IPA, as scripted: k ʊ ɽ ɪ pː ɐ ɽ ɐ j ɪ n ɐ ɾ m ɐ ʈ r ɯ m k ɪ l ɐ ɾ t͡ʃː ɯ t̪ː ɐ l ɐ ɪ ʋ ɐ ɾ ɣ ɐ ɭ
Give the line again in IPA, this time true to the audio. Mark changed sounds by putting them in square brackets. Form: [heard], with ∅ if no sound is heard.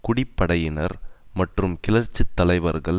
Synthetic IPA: k ʊ ɽ ɪ pː ɐ ɽ ɐ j ɪ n ɐ ɾ m ɐ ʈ r ɯ m k ɪ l ɐ ɾ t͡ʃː ɯ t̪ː ɐ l ɐ ɪ ʋ ɐ ɾ ɣ ɐ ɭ